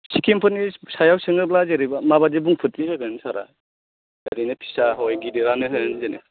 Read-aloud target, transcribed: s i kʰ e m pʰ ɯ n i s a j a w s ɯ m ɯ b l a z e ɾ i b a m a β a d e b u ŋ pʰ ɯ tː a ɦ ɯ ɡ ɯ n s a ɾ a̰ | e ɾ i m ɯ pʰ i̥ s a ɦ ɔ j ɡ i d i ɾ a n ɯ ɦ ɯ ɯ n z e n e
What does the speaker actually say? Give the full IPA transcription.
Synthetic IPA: s i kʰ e m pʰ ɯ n i s a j a w s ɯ ŋ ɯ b l a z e ɾ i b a m a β a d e b u ŋ pʰ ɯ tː i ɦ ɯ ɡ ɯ n s a ɾ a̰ | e ɾ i n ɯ pʰ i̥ s a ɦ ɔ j ɡ i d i ɾ a n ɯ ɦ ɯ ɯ n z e n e